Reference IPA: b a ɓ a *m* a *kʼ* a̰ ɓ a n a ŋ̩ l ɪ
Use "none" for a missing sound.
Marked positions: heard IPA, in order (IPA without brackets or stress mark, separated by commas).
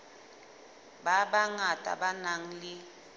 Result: ŋ, tʼ